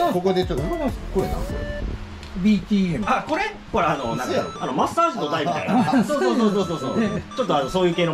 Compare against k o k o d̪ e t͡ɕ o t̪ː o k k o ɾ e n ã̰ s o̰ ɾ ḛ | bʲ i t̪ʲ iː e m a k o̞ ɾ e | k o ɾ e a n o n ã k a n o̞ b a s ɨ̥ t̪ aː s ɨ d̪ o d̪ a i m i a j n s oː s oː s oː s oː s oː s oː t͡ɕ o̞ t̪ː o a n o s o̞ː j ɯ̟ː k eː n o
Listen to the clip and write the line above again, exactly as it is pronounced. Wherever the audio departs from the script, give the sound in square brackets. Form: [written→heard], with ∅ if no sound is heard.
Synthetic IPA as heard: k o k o d̪ e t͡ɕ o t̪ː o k k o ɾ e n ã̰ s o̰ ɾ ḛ | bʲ i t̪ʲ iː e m a k o̞ ɾ e | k o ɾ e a n o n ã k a n o̞ [b→m] a s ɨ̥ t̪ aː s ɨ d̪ o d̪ a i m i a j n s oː s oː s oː s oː s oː s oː t͡ɕ o̞ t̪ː o a n o s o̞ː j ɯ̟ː k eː n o